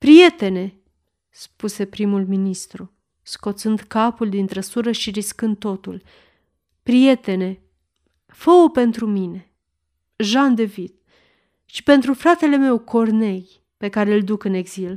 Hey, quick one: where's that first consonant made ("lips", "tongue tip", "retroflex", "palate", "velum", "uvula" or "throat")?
lips